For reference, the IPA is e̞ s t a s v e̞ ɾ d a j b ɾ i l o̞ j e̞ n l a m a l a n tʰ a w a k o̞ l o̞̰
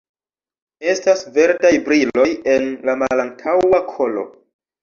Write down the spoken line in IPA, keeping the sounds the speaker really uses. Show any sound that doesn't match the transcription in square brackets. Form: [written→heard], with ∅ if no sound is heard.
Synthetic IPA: e̞ s t a s v e̞ ɾ d a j b ɾ i l o̞ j e̞ n l a m a l a n tʰ a w a [k→kʰ] o̞ l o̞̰